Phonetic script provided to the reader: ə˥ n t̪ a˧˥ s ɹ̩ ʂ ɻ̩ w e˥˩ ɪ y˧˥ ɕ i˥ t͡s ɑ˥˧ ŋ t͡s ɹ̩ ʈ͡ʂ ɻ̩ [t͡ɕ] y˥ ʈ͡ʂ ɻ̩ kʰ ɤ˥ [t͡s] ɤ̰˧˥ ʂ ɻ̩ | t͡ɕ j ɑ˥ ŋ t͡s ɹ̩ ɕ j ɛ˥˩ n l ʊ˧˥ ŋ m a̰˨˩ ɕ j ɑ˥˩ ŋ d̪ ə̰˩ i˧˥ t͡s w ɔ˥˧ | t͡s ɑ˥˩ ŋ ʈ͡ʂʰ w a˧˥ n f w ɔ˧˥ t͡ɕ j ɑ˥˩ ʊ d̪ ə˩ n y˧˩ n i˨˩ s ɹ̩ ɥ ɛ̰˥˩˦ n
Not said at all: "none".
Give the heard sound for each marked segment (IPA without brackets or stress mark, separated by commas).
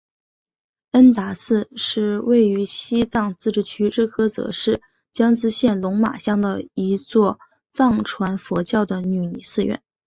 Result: t͡ɕʰ, t͡s